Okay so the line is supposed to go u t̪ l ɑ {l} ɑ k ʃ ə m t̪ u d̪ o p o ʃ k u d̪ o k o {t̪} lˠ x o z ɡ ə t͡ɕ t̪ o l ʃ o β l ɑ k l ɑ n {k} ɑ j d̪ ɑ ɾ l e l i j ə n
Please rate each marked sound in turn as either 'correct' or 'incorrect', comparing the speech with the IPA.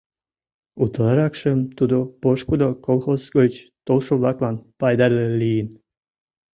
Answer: incorrect, incorrect, incorrect

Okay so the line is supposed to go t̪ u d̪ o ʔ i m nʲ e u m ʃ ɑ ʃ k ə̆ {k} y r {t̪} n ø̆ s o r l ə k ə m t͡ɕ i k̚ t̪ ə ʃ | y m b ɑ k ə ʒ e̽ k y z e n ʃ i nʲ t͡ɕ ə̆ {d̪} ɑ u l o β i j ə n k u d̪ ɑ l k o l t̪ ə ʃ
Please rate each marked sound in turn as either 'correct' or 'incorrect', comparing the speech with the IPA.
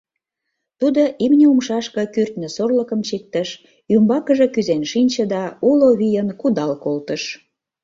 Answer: correct, correct, correct

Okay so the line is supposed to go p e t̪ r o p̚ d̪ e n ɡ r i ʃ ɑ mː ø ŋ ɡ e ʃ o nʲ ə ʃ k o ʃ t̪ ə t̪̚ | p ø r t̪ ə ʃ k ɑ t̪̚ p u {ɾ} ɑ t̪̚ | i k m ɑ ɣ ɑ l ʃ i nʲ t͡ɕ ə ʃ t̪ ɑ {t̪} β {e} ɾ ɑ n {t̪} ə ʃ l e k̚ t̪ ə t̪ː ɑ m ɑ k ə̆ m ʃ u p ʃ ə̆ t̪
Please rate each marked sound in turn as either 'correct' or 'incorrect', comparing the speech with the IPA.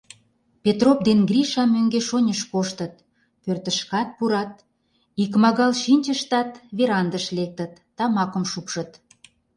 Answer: correct, correct, correct, incorrect

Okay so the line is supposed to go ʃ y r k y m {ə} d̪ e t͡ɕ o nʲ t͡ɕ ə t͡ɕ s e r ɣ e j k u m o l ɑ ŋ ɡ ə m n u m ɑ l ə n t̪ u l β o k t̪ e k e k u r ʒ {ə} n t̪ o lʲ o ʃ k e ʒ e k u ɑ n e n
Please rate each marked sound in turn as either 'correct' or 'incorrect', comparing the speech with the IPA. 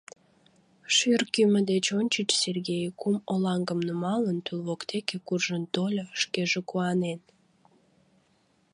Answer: correct, correct

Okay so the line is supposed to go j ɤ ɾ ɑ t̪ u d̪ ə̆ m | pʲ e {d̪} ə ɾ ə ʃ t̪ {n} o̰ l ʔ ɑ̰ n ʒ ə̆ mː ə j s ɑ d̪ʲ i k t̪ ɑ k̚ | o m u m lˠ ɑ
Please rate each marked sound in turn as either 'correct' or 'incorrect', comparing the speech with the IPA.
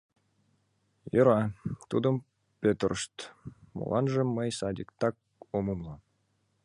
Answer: incorrect, incorrect

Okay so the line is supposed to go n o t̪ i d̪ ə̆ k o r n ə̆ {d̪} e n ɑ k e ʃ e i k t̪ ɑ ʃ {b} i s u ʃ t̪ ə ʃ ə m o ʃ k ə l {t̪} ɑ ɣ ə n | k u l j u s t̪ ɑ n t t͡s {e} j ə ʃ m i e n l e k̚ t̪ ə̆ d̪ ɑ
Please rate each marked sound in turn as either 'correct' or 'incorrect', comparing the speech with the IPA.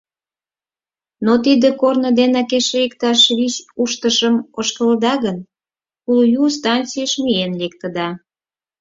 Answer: correct, incorrect, incorrect, incorrect

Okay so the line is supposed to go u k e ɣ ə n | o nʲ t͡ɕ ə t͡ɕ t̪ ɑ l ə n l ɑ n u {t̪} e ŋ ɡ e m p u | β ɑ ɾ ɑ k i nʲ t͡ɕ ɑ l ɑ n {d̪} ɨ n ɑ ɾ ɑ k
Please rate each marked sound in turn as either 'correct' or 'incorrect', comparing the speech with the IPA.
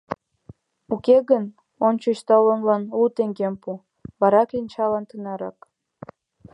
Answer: correct, incorrect

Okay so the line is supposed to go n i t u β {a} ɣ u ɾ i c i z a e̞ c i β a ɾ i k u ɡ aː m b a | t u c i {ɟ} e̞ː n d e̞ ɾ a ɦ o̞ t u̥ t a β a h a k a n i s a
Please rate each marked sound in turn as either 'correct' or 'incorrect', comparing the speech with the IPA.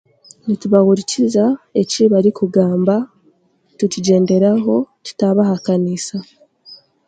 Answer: correct, correct

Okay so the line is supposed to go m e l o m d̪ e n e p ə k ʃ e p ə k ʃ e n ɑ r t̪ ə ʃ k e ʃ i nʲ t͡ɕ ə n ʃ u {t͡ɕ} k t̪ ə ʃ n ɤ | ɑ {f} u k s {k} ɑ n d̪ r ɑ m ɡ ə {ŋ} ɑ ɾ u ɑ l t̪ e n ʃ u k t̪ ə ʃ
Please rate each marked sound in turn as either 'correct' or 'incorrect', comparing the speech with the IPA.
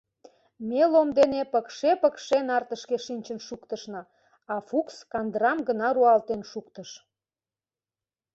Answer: incorrect, correct, correct, incorrect

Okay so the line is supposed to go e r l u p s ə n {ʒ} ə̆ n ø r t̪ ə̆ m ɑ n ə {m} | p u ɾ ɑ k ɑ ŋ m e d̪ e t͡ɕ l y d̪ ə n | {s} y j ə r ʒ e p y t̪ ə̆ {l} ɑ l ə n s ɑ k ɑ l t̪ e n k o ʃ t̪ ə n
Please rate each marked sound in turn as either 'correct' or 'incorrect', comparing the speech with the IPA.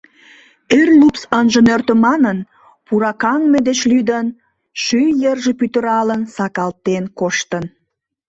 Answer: correct, incorrect, incorrect, incorrect

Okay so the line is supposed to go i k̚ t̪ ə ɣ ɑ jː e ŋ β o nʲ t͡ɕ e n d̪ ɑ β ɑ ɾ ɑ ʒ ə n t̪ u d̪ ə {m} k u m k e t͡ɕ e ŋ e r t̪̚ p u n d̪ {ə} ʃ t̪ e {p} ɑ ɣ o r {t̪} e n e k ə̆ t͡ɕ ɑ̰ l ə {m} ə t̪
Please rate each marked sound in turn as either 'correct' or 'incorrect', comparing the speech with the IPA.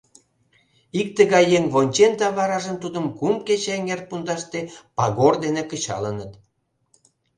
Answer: correct, incorrect, correct, incorrect, incorrect

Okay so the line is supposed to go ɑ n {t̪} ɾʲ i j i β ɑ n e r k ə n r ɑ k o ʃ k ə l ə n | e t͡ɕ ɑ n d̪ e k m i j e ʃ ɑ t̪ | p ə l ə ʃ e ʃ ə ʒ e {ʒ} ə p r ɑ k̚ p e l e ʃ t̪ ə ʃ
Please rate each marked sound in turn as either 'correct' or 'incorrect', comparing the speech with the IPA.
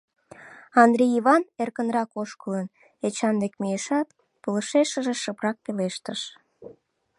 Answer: incorrect, incorrect

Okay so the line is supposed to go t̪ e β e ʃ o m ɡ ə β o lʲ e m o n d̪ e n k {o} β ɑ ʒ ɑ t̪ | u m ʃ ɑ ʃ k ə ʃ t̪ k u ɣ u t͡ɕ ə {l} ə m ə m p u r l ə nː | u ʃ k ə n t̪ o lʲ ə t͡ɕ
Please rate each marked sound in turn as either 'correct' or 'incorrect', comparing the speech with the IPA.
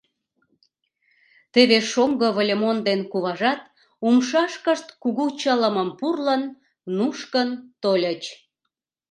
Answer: incorrect, correct

